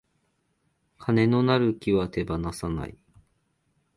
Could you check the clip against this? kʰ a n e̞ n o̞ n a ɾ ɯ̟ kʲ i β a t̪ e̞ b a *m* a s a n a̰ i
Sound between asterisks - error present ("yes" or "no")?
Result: yes